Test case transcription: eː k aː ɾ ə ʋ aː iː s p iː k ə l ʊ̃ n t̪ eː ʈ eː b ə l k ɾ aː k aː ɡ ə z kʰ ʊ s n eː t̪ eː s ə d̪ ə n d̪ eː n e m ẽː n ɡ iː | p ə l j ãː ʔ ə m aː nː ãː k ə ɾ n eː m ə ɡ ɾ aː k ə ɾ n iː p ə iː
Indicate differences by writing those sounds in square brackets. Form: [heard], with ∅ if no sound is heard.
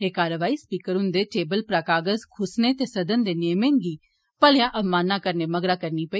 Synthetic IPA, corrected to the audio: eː k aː ɾ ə ʋ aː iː s p iː k ə [ɾ] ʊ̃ n [d̪] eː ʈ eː b ə l [p] ɾ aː k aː ɡ ə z kʰ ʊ s n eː t̪ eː s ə d̪ ə n d̪ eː n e m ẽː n ɡ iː | p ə l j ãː ʔ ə m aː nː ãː k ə ɾ n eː m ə ɡ ɾ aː k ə ɾ n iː p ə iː